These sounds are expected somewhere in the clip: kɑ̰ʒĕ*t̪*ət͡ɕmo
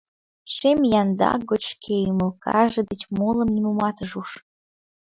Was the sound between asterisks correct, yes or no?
no